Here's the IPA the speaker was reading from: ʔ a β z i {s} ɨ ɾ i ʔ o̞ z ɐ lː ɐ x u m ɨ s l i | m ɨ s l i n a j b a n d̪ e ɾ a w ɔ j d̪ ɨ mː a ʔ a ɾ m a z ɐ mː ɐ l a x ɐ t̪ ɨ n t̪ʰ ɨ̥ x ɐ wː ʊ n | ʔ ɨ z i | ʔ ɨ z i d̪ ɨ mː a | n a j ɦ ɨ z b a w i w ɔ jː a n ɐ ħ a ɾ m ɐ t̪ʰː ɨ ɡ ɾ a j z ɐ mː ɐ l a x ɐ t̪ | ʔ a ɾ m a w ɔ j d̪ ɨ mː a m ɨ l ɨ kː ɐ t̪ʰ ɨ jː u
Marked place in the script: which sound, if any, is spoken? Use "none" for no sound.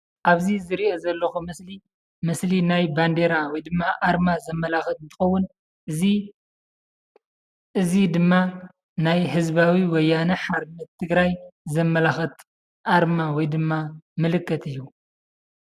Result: z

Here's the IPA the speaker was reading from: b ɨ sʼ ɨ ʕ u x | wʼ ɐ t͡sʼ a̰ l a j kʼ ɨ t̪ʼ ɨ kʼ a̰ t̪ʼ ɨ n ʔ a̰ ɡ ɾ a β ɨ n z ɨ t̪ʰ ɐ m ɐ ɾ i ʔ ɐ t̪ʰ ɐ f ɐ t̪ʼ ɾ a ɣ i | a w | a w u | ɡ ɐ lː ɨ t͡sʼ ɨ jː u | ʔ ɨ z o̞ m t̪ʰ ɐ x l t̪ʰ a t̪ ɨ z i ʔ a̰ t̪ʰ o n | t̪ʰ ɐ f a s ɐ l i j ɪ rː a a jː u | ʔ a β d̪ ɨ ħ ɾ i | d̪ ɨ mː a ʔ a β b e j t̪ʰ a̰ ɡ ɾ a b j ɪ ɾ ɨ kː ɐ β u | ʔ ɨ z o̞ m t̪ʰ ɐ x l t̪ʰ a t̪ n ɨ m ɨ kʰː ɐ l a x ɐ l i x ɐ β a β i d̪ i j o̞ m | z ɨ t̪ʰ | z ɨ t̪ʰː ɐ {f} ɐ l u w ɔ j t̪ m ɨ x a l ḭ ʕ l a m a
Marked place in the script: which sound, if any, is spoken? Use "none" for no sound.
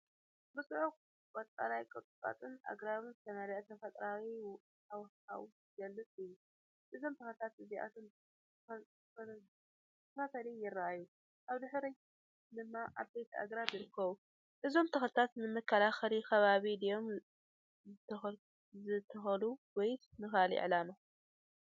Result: x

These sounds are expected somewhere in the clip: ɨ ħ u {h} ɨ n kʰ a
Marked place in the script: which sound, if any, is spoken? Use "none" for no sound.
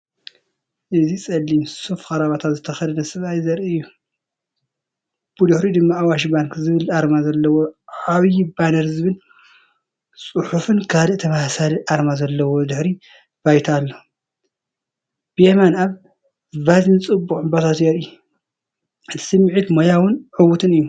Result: f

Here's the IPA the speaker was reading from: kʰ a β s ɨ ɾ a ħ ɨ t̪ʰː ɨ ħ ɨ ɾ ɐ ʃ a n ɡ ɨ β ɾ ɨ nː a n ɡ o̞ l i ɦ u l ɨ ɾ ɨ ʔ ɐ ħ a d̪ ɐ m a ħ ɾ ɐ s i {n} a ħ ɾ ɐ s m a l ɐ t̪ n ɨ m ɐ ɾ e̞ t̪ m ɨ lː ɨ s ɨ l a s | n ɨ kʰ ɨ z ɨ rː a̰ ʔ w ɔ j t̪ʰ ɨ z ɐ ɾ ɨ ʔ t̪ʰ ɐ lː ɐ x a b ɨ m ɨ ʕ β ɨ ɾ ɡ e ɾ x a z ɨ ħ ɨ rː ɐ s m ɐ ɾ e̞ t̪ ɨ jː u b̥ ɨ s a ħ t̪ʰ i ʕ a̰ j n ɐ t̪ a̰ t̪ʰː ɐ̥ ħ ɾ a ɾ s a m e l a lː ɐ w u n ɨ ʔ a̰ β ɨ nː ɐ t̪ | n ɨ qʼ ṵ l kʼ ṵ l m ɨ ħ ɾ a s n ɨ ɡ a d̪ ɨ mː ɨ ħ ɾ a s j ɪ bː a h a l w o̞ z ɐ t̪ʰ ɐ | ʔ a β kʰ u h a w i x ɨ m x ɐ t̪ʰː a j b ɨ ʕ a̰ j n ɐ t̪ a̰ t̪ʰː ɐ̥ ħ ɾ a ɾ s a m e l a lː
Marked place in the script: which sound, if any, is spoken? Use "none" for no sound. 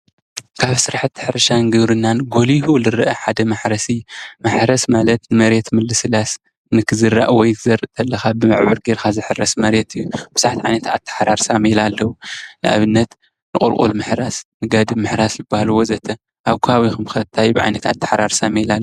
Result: m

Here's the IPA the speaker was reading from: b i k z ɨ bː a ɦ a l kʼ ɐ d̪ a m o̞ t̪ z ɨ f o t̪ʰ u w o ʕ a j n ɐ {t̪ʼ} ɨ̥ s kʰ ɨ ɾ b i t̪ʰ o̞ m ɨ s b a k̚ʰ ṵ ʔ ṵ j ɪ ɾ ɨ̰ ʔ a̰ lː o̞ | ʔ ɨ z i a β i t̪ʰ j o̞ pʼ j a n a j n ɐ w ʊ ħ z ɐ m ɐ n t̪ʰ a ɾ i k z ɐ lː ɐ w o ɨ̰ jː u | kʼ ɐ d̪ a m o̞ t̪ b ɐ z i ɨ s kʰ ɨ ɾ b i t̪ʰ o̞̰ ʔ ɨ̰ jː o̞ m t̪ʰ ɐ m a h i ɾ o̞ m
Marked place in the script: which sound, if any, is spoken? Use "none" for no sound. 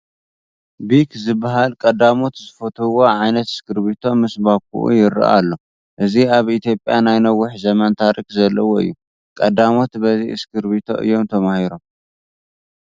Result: t̪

